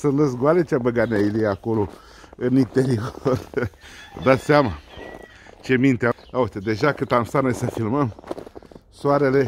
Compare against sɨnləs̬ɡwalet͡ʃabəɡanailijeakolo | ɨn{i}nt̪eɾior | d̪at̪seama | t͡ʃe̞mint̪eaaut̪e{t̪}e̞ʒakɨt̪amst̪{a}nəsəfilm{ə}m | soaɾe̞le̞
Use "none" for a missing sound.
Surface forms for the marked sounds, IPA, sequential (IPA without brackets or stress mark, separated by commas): i, d̪, a, ə